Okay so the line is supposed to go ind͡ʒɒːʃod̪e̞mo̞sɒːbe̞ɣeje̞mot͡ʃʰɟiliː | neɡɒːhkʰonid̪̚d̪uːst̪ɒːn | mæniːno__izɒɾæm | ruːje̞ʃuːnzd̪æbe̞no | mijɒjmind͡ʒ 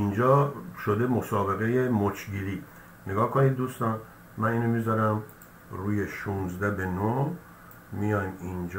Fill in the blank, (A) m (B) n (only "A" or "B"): A